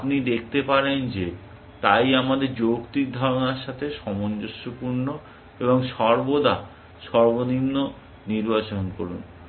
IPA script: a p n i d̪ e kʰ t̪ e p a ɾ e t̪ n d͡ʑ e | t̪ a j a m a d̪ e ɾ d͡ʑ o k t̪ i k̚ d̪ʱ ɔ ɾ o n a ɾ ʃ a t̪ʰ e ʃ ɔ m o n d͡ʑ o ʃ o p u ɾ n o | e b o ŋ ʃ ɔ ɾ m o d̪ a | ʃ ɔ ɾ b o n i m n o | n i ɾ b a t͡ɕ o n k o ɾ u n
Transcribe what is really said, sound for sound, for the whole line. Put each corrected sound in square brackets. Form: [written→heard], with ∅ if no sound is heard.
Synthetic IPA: a p n i d̪ e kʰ t̪ e p a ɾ e [t̪→∅] n d͡ʑ e | t̪ a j a m a d̪ e ɾ d͡ʑ o k t̪ i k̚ d̪ʱ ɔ ɾ o n a ɾ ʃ a t̪ʰ e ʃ ɔ m o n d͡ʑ o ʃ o p u ɾ n o | e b o ŋ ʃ ɔ ɾ [m→b] o d̪ a | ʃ ɔ ɾ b o n i m n o | n i ɾ b a t͡ɕ o n k o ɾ u n